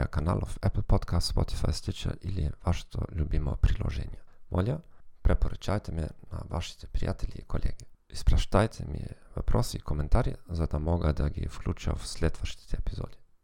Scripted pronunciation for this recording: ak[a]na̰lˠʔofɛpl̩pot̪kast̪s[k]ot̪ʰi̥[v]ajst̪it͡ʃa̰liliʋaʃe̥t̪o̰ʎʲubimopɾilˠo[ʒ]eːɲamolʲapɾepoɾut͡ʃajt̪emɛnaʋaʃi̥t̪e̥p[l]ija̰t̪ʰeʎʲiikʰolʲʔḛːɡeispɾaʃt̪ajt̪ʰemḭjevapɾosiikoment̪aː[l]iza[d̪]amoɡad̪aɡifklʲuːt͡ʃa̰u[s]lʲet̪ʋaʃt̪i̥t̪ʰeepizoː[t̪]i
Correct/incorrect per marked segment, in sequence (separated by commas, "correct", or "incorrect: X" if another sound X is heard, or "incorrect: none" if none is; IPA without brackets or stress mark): correct, incorrect: p, incorrect: f, correct, incorrect: ɾ, incorrect: ɾ, correct, correct, incorrect: d̪